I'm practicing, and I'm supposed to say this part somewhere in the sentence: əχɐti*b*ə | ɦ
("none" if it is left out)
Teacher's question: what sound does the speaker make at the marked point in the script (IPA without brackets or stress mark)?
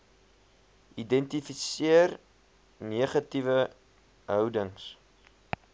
v